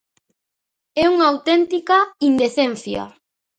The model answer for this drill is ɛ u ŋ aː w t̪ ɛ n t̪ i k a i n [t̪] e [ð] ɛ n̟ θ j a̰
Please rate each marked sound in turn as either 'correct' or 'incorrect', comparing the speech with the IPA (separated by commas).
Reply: incorrect, incorrect